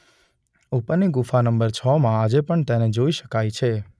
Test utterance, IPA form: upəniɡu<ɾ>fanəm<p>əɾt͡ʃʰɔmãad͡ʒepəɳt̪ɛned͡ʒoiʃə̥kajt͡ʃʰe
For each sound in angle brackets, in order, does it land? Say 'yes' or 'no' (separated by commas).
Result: no, no